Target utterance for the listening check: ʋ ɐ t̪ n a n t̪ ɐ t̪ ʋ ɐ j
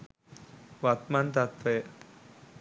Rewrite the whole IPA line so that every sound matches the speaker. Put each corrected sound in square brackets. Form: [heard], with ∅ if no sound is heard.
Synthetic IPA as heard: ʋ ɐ t̪ [m] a n t̪ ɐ t̪ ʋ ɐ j